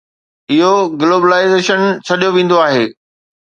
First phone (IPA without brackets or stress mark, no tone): ɪ